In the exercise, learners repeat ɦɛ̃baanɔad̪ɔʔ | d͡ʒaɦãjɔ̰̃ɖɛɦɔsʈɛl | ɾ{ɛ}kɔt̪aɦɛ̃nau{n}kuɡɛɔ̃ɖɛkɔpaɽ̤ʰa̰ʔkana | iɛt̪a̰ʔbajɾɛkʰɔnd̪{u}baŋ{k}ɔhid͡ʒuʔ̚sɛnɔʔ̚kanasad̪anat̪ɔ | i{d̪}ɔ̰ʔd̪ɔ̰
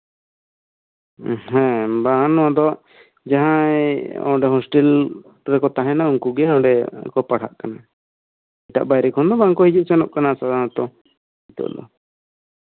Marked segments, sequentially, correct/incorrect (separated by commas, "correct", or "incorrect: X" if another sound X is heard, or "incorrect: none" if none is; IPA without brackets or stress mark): correct, incorrect: ŋ, incorrect: ɔ, correct, incorrect: t̪